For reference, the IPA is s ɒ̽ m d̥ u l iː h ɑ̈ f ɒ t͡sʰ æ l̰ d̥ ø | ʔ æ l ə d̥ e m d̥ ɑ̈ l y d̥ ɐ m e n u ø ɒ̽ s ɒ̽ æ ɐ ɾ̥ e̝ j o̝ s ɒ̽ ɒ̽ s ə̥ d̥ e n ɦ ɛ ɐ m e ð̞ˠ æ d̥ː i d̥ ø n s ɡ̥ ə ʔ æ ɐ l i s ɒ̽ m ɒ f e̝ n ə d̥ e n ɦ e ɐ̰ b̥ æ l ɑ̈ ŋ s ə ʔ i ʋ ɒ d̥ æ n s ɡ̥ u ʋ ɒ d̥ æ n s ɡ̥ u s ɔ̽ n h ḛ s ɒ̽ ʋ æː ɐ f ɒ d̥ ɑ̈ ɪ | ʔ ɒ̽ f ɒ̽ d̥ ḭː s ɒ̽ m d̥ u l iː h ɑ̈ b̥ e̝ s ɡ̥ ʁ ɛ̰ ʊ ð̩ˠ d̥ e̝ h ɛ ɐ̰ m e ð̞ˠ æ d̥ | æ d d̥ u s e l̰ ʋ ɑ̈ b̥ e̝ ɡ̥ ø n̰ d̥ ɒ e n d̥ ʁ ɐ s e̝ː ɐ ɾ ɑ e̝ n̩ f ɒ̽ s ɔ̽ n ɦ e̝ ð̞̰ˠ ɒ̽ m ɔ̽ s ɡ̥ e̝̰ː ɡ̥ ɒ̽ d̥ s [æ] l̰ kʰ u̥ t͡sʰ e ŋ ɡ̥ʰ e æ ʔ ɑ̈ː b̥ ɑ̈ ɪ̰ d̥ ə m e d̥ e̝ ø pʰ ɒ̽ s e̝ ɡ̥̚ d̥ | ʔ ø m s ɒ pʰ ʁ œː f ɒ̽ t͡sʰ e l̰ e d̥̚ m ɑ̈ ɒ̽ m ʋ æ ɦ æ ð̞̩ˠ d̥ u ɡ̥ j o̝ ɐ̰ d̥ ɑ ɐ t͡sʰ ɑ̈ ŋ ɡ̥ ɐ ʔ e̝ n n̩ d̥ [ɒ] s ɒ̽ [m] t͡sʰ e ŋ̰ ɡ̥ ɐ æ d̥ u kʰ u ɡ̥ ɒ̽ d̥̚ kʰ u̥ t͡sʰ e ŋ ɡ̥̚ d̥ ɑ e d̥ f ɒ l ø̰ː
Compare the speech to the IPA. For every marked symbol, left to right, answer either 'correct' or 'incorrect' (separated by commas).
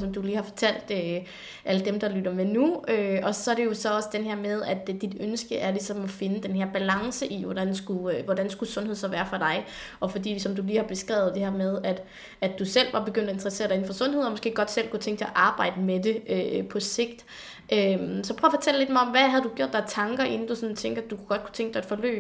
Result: incorrect, incorrect, incorrect